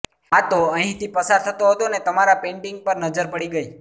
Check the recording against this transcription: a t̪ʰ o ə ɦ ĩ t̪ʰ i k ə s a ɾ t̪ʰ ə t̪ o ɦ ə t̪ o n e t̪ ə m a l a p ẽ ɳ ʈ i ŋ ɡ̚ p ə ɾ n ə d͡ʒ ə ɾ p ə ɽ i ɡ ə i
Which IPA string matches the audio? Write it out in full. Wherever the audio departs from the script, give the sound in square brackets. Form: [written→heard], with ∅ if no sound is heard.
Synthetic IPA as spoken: a [t̪ʰ→t̪] o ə ɦ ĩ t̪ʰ i [k→p] ə s a ɾ t̪ʰ ə t̪ o ɦ ə t̪ o n e t̪ ə m a [l→ɾ] a p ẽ ɳ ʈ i ŋ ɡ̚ p ə ɾ n ə d͡ʒ ə ɾ p ə ɽ i ɡ ə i